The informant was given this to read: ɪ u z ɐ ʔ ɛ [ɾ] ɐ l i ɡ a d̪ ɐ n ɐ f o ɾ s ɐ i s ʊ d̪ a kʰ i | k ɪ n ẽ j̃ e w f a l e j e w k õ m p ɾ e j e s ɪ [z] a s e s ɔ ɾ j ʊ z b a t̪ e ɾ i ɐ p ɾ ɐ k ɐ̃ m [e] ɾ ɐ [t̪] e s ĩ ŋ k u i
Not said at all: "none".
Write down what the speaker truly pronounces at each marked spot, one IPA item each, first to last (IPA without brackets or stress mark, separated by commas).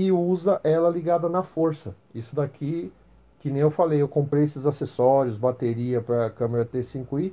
l, z, e, t̪